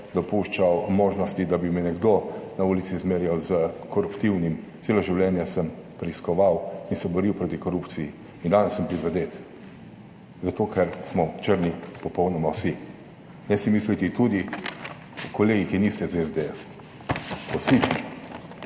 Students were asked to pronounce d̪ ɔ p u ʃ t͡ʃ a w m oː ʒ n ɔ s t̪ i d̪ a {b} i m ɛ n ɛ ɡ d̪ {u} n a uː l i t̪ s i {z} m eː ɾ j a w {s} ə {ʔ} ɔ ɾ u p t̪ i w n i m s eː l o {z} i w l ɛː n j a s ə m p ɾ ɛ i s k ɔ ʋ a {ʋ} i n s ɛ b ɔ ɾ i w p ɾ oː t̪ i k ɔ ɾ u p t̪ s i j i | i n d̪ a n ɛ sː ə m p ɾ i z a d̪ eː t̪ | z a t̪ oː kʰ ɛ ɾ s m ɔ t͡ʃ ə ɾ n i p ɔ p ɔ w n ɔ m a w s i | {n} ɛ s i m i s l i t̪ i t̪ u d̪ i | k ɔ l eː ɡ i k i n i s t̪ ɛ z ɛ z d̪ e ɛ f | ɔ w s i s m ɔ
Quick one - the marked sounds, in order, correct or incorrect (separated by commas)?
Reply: correct, incorrect, correct, incorrect, incorrect, incorrect, incorrect, correct